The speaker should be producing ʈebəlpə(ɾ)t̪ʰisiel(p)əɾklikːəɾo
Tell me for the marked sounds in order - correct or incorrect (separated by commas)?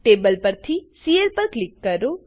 correct, correct